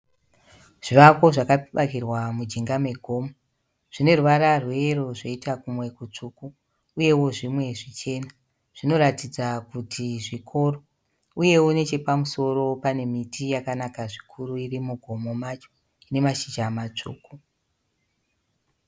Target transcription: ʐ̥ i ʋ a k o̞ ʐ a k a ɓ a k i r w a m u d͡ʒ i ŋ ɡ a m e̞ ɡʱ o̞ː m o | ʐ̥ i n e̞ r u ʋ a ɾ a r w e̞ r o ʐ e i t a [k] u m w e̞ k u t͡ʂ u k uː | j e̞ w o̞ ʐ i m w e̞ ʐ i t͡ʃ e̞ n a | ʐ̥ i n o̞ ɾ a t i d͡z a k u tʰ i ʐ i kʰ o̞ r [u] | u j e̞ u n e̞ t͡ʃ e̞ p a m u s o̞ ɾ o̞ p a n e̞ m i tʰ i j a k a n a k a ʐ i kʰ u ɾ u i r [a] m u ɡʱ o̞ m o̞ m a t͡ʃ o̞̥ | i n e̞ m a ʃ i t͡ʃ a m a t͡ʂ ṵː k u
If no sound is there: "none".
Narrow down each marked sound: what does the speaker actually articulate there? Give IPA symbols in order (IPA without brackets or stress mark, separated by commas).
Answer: k, o, i